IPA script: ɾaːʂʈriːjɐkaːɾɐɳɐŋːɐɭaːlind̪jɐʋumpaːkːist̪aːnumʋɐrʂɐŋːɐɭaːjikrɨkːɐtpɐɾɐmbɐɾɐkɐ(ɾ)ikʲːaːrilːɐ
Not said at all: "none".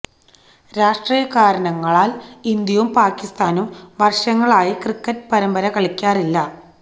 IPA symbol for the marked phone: ɭ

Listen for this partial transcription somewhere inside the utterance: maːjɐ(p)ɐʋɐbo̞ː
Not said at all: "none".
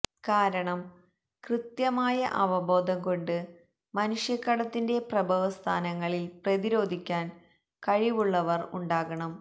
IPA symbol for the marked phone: ʔ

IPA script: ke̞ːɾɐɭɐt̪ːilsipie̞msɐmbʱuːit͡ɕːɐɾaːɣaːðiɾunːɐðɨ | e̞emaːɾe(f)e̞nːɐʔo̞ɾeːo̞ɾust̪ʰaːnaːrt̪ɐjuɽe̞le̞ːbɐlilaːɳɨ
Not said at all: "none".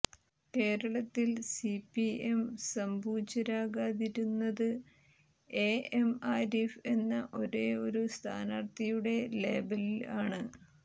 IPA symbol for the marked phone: f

